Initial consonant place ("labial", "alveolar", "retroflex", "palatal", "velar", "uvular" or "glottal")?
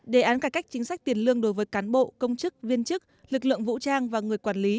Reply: alveolar